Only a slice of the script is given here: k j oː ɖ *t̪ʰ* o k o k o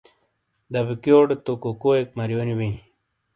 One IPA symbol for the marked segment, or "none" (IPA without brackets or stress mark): t̪